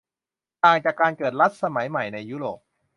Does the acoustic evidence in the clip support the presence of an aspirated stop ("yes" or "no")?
no